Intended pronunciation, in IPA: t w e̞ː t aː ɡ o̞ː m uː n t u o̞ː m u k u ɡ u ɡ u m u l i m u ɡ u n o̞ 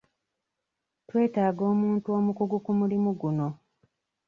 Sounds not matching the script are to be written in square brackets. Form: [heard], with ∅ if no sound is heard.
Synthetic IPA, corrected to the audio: t w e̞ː t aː ɡ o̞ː m uː n t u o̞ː m u k u ɡ u [k] u m u l i m u ɡ u n o̞